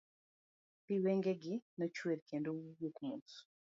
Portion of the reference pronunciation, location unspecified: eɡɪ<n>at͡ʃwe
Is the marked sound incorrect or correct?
correct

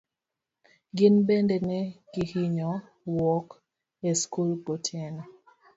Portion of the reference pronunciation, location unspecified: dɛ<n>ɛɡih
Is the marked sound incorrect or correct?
correct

